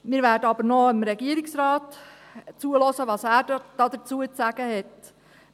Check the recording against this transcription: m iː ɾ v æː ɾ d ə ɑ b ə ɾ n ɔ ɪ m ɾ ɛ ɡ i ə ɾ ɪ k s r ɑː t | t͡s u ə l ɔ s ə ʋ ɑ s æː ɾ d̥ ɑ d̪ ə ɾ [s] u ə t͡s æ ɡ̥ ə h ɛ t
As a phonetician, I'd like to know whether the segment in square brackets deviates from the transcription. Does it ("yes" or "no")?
yes